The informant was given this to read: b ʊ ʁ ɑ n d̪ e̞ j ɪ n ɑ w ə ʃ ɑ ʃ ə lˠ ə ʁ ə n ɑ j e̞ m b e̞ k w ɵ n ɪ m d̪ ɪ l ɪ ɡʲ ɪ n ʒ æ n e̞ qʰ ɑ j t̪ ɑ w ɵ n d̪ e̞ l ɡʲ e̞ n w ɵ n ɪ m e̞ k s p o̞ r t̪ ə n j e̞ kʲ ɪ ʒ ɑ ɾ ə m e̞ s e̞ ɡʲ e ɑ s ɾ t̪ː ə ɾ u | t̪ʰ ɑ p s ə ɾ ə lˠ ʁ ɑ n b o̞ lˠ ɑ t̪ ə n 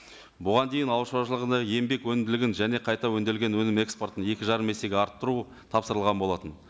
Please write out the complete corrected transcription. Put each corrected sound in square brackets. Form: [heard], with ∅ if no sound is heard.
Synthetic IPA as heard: b ʊ ʁ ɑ n d̪ e̞ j ɪ n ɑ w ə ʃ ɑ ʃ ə lˠ ə ʁ ə n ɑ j e̞ m b e̞ k w ɵ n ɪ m d̪ ɪ l ɪ ɡʲ ɪ n ʒ æ n e̞ qʰ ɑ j t̪ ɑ w ɵ n d̪ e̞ l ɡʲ e̞ n w ɵ n ɪ m e̞ k s p o̞ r t̪ ə n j e̞ kʲ ɪ ʒ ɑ ɾ ə m e̞ s e̞ ɡʲ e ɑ [∅] ɾ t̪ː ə ɾ u | t̪ʰ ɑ p s ə ɾ ə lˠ ʁ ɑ n b o̞ lˠ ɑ t̪ ə n